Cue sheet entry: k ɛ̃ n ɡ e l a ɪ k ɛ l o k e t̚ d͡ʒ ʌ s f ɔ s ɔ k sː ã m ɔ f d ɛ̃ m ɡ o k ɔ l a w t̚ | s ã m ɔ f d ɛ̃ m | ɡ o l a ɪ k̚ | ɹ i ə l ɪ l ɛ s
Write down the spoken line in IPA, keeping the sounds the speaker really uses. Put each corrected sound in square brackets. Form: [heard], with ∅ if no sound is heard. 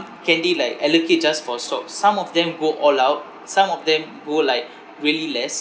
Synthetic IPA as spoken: k ɛ̃ n [d] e l a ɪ k ɛ l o k e t̚ d͡ʒ [a] s f ɔ s ɔ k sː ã m ɔ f d ɛ̃ m ɡ o [ʔ] ɔ l a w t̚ | s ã m ɔ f d ɛ̃ m | ɡ o l a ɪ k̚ | ɹ i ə l [i] l ɛ s